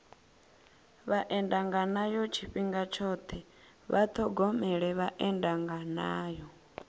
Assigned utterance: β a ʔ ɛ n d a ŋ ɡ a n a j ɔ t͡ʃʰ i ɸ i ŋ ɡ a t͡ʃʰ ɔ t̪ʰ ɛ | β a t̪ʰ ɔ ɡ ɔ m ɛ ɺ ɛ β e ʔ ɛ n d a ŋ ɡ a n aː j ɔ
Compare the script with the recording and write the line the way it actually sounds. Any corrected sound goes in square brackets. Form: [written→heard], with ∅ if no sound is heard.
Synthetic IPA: β a ʔ ɛ n d a ŋ ɡ a n a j ɔ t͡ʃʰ i ɸ i ŋ ɡ a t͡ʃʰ ɔ t̪ʰ ɛ | β a t̪ʰ ɔ ɡ ɔ m ɛ ɺ ɛ β [e→a] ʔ ɛ n d a ŋ ɡ a n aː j ɔ